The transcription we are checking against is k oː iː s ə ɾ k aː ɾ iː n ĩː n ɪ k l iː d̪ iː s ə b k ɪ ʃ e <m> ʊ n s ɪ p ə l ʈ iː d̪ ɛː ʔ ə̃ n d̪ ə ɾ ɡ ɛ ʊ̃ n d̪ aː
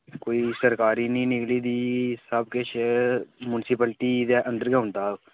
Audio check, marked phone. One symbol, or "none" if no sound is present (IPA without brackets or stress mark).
m